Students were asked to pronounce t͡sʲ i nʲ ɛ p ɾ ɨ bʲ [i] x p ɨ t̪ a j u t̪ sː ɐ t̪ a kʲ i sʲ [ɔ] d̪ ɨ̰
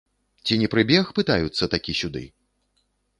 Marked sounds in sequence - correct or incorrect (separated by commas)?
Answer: incorrect, incorrect